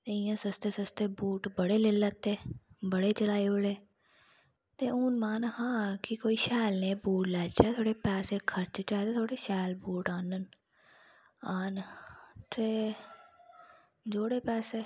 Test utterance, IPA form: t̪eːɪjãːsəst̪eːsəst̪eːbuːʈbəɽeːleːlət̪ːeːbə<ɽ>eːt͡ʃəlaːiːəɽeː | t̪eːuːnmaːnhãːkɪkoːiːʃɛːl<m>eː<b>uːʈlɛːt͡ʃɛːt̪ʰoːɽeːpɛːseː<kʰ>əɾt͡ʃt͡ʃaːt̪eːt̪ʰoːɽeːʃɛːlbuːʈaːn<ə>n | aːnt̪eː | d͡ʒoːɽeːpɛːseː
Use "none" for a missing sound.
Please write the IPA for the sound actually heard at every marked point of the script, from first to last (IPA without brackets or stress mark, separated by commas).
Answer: ɽ, n, b, kʰ, ə